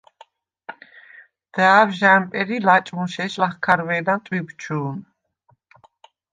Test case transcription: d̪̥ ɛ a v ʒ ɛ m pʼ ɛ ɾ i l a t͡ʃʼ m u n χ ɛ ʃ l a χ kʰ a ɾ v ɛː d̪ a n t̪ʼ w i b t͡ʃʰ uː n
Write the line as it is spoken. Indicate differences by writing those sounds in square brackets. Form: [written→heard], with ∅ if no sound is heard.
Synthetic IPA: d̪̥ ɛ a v ʒ [ɛ→a] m pʼ ɛ ɾ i l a t͡ʃʼ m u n [χ→ʃ] ɛ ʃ l a χ kʰ a ɾ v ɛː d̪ a n t̪ʼ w i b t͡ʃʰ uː n